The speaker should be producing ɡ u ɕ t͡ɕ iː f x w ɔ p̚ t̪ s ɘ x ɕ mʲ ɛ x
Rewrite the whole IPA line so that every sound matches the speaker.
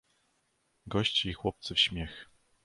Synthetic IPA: ɡ ɔ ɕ t͡ɕ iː x w ɔ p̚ t̪ s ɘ f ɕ mʲ ɛ x

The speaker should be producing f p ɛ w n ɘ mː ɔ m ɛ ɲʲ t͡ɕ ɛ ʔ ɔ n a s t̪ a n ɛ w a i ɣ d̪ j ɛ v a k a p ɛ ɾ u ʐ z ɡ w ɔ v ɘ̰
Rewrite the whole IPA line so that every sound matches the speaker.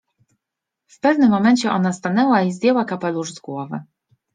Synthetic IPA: f p ɛ v n ɘ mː ɔ m ɛ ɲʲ t͡ɕ ɛ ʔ ɔ n a s t̪ a n ɛ w a i z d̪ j ɛ w a k a p ɛ l u ʐ z ɡ w ɔ v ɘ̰

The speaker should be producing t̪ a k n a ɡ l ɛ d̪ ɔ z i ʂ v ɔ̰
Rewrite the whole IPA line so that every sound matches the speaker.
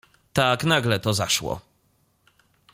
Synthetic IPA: t̪ a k n a ɡ l ɛ t̪ ɔ z a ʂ w ɔ̰

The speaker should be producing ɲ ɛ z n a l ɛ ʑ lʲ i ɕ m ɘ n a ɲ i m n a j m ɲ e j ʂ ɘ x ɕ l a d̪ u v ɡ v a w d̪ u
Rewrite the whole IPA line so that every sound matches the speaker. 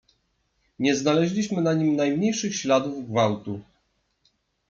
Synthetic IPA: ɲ ɛ z n a l ɛ ʑ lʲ i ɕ m ɘ n a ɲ i m n a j m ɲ e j ʂ ɘ x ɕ l a d̪ u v ɡ v a w t̪ u

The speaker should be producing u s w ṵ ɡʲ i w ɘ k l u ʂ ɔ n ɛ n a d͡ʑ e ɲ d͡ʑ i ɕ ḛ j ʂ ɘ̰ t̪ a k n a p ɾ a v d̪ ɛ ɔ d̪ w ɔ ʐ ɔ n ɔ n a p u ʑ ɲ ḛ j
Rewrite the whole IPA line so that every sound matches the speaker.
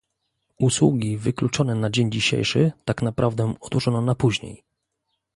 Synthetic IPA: u s w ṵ ɡʲ i v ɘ k l u t͡ʂ ɔ n ɛ n a d͡ʑ e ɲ d͡ʑ i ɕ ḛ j ʂ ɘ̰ t̪ a k n a p ɾ a v d̪ ɛ ɔ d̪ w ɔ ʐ ɔ n ɔ n a p u ʑ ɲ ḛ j

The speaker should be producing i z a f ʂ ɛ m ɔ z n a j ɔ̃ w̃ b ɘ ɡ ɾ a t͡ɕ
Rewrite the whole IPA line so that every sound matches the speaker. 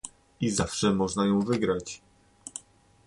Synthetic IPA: i z a f ʂ ɛ m ɔ ʐ n a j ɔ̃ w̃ v ɘ ɡ ɾ a t͡ɕ

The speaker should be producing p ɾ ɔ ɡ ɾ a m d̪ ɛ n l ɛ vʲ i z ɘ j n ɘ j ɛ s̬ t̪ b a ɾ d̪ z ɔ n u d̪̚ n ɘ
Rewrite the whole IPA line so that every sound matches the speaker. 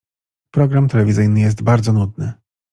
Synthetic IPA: p ɾ ɔ ɡ ɾ a m t̪ ɛ l ɛ vʲ i z ɘ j n ɘ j ɛ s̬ t̪ b a ɾ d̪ z ɔ n u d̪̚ n ɘ

